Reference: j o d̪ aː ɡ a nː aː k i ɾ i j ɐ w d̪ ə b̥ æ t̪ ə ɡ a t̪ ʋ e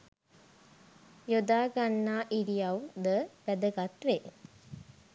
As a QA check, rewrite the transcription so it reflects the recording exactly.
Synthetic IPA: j o d̪ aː ɡ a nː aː ʔ i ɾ i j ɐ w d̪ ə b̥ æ d̪ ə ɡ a t̪ ʋ e